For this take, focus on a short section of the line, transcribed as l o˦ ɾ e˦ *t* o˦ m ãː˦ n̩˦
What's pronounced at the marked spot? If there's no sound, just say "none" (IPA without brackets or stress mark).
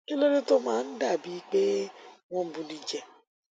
t